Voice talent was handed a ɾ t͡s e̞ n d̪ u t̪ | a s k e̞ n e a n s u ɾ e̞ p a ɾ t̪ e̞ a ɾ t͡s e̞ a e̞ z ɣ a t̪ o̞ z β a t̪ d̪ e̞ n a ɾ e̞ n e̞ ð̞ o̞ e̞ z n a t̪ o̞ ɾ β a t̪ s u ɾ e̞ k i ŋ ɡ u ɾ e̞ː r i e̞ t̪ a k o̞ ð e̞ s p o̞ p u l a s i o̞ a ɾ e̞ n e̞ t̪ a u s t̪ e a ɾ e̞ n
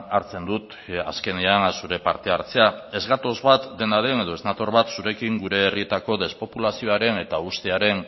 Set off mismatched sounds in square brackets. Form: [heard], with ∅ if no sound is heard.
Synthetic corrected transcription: a ɾ t͡s e̞ n d̪ u t̪ | a s k e̞ n e a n s u ɾ e̞ p a ɾ t̪ e̞ a ɾ t͡s e̞ a e̞ z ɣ a t̪ o̞ z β a t̪ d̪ e̞ n a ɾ e̞ n e̞ ð̞ o̞ e̞ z n a t̪ o̞ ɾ β a t̪ s u ɾ e̞ k i ŋ ɡ u ɾ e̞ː r i e̞ t̪ a k o̞ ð e̞ s p o̞ p u l a s i o̞ a ɾ e̞ n e̞ t̪ a u s t̪ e a ɾ e̞ n